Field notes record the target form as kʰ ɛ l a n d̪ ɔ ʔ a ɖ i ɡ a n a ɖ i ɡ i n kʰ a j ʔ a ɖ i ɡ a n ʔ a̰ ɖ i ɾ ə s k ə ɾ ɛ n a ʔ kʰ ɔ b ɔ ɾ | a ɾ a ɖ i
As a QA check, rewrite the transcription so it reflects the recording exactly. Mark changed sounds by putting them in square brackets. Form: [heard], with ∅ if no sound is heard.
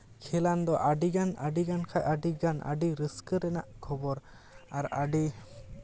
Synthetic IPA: kʰ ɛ l a n d̪ ɔ ʔ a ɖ i ɡ a n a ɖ i ɡ [a] n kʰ a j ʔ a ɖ i ɡ a n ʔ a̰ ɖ i ɾ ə s k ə ɾ ɛ n a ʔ kʰ ɔ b ɔ ɾ | a ɾ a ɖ i

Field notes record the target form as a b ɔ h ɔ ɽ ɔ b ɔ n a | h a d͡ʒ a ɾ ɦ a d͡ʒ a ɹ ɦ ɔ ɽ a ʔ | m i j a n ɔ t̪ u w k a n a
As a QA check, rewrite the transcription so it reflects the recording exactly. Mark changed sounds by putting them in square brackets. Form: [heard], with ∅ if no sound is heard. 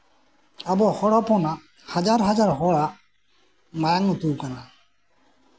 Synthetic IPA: a b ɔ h ɔ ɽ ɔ [p] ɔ n a | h a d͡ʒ a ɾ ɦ a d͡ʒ a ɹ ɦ ɔ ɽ a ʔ | m [a] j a [ŋ] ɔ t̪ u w k a n a

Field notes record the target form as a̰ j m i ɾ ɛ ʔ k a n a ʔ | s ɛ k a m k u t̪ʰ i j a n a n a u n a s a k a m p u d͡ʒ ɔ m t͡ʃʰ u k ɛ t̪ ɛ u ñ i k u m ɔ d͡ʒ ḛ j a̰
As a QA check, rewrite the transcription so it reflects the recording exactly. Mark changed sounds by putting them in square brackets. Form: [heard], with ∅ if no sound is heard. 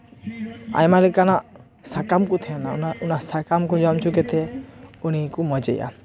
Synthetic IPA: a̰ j m [a] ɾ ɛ [∅] k a n a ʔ | s [a] k a m k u t̪ʰ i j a n a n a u n a s a k a m [k] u d͡ʒ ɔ m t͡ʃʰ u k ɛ t̪ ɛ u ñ i k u m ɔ d͡ʒ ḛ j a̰

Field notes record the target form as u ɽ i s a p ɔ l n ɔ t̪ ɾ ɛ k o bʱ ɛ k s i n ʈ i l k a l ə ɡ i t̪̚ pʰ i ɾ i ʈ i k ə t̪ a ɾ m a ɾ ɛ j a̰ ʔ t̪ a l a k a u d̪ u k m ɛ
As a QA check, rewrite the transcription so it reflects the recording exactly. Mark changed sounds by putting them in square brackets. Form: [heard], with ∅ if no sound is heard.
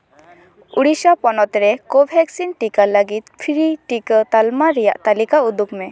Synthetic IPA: u ɽ i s a p ɔ [∅] n ɔ t̪ ɾ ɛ k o bʱ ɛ k s i n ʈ i [∅] k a l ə ɡ i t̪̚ pʰ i ɾ i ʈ i k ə t̪ a [l] m a ɾ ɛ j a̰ ʔ t̪ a l [i] k a u d̪ u k m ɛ

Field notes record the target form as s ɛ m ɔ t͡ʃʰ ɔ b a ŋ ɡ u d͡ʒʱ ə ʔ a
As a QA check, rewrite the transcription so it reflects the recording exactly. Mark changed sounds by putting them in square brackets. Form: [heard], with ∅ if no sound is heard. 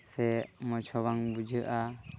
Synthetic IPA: s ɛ m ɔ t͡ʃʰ ɔ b a ŋ [b] u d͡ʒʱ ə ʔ a

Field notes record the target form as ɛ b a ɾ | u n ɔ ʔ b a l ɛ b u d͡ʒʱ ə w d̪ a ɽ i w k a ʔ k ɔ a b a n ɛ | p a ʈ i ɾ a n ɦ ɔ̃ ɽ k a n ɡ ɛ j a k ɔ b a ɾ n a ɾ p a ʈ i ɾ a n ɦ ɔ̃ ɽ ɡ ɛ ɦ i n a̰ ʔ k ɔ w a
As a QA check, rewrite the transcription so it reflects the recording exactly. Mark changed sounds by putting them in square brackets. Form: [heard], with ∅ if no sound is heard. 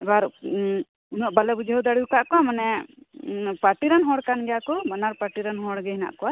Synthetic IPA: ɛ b a ɾ | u n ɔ ʔ b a l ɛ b u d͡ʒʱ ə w d̪ a ɽ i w k a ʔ k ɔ a [m] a n ɛ | p a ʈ i ɾ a n ɦ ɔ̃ ɽ k a n ɡ ɛ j a k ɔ b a [∅] n a ɾ p a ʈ i ɾ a n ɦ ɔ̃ ɽ ɡ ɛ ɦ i n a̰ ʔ k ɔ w a

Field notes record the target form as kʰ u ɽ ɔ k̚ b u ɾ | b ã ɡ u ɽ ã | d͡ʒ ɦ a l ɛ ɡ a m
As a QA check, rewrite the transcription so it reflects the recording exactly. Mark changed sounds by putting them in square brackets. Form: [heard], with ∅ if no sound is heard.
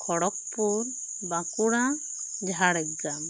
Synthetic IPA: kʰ [ɔ] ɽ ɔ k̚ [p] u ɾ | b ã [k] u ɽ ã | d͡ʒ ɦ a [ɽ] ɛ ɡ a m

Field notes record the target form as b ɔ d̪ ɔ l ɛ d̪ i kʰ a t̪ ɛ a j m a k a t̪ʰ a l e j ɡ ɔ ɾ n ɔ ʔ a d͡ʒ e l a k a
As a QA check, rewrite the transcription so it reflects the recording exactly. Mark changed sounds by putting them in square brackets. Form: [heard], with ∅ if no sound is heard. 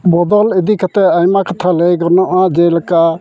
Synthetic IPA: b ɔ d̪ ɔ l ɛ d̪ i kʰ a t̪ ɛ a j m a k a t̪ʰ a l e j ɡ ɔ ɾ n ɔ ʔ a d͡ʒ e l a k a

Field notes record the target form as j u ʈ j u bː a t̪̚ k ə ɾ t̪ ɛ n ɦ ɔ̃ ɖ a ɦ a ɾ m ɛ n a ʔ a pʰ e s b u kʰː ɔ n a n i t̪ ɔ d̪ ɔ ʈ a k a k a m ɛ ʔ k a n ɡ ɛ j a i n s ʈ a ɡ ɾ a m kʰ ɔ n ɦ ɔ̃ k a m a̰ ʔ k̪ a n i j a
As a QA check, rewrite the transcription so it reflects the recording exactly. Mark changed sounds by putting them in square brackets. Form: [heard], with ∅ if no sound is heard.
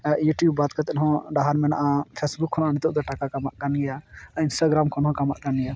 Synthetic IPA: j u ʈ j u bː a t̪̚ k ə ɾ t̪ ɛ n ɦ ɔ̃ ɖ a ɦ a ɾ m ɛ n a ʔ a pʰ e s b u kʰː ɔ n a n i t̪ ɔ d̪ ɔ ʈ a k a k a m [a] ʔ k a n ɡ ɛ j a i n s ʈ a ɡ ɾ a m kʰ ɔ n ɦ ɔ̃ k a m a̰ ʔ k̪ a n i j a

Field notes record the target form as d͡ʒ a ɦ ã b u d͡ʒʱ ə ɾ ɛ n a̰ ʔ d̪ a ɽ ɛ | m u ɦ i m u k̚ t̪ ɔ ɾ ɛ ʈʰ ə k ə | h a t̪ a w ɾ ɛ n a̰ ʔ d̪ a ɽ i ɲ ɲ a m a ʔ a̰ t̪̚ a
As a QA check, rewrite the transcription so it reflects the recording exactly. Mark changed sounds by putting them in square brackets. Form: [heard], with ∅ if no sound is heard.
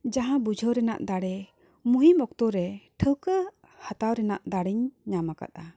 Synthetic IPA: d͡ʒ a ɦ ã b u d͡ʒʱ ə ɾ ɛ n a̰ ʔ d̪ a ɽ ɛ | m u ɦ i m [ɔ] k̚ t̪ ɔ ɾ ɛ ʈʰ ə k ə | h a t̪ a w ɾ ɛ n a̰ ʔ d̪ a ɽ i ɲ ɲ a m a [k] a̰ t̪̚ a

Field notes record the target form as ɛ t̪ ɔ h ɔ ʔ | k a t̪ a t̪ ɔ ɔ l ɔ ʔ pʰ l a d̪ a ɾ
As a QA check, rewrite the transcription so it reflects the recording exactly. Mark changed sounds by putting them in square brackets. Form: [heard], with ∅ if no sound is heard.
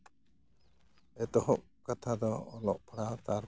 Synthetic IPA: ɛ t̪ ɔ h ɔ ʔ | k a [t̪ʰ] a [d̪] ɔ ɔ l ɔ ʔ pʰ [ɽ] a [t̪] a ɾ

